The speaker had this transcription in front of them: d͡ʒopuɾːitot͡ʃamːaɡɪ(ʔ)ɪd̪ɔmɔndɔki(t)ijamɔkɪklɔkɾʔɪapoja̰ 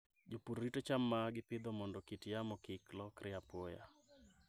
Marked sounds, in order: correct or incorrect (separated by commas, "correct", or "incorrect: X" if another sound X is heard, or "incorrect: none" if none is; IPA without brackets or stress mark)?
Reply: incorrect: p, correct